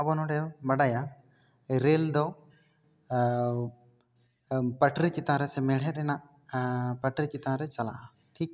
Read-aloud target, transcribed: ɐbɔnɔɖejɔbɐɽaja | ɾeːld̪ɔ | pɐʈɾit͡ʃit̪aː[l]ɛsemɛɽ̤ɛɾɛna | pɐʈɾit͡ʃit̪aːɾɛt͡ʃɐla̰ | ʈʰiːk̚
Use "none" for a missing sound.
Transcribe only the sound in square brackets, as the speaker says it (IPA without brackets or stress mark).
ɾ